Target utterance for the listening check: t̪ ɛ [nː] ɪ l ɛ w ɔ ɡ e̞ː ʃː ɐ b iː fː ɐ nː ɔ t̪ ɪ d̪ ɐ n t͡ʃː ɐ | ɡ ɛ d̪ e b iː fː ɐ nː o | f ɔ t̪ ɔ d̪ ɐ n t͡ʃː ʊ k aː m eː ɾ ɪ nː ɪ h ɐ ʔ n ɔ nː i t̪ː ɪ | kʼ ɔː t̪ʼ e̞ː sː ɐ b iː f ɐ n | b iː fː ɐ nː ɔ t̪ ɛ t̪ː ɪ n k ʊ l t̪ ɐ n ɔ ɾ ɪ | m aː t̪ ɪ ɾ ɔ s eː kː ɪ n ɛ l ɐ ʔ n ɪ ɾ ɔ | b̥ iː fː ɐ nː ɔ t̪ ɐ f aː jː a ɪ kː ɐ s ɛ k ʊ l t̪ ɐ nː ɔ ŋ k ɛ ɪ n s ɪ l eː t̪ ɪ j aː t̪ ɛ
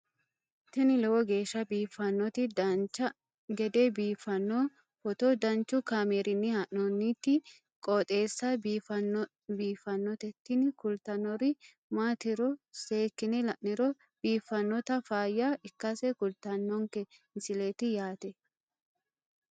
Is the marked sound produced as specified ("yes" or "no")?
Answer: no